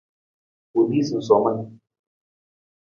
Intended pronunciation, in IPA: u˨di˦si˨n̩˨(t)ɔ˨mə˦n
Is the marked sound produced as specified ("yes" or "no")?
no